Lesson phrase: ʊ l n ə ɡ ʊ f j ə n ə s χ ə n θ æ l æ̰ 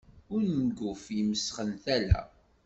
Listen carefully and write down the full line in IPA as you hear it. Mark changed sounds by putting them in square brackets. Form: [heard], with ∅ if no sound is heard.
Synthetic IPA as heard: ʊ [ɾ] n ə ɡ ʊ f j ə [m] ə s χ ə n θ æ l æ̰